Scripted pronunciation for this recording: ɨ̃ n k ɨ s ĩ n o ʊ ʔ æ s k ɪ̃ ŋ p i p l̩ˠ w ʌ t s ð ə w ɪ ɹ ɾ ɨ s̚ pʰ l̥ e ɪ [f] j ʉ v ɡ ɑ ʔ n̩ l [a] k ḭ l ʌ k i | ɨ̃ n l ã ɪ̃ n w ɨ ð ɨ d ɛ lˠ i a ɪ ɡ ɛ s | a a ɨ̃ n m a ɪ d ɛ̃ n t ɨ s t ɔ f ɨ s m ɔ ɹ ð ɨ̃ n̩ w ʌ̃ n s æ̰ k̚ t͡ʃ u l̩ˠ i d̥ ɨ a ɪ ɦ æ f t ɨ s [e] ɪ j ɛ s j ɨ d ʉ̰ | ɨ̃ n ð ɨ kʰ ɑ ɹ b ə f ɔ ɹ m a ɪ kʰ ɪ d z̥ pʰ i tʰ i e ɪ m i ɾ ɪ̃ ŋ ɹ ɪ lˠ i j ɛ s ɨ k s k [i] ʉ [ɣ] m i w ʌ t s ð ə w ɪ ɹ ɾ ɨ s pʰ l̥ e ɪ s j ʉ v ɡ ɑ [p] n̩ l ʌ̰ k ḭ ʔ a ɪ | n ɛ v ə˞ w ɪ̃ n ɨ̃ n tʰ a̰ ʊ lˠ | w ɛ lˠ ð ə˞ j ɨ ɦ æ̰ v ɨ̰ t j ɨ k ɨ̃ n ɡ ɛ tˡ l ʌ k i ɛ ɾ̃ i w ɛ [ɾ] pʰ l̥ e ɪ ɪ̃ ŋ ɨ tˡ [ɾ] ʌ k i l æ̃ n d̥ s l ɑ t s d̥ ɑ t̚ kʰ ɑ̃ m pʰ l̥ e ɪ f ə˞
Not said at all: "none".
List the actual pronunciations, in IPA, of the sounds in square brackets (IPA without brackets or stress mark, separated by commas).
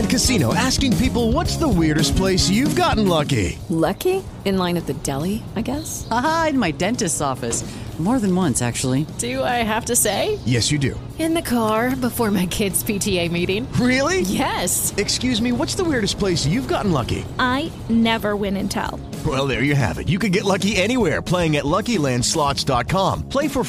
s, ʌ, e, j, z, ʔ, ɹ, l